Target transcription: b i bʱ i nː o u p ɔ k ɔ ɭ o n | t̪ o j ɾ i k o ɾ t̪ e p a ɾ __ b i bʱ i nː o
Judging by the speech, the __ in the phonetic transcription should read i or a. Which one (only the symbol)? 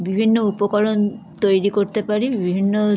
i